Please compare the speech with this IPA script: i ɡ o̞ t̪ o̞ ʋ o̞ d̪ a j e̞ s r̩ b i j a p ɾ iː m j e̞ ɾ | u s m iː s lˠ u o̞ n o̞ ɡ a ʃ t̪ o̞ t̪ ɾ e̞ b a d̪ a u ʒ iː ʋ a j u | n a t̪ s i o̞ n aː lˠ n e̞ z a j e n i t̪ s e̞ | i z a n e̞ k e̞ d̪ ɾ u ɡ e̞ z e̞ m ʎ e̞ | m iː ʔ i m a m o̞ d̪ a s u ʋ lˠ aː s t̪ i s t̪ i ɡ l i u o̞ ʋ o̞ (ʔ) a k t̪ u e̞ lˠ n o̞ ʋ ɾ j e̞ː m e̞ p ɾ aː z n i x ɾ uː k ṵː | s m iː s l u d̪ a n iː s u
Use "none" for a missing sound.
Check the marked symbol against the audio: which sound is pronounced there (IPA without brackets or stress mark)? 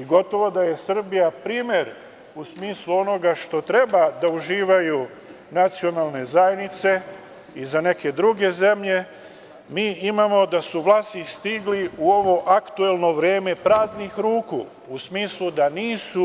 ʔ